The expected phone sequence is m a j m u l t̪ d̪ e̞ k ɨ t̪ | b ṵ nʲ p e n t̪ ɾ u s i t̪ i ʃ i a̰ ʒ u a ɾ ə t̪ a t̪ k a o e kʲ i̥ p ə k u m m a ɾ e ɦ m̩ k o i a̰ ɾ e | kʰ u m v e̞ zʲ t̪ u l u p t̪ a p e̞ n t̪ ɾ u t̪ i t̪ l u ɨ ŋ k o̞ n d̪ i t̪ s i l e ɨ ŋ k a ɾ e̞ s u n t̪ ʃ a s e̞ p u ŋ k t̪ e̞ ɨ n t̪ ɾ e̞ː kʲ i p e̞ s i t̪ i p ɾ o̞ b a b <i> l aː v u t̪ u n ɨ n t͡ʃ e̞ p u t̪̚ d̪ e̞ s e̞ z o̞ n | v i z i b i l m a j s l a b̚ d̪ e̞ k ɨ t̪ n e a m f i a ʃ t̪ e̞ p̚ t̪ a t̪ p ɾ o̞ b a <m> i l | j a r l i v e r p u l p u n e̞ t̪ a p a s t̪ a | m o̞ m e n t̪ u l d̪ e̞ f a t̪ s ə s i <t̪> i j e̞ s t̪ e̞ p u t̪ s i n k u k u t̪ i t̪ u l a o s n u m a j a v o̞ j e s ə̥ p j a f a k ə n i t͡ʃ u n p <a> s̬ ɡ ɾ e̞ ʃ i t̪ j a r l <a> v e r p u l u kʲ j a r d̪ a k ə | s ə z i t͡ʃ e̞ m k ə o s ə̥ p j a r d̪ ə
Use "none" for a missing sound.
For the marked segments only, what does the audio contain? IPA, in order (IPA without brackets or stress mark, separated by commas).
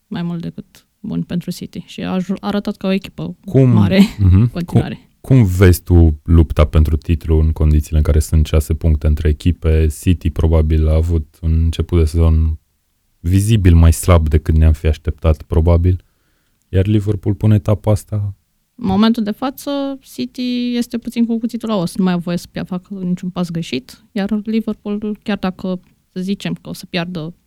i, b, t̪, a, i